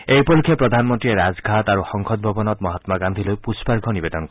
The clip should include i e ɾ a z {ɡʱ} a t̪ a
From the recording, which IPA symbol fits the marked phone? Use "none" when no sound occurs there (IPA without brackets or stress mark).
ɡʱ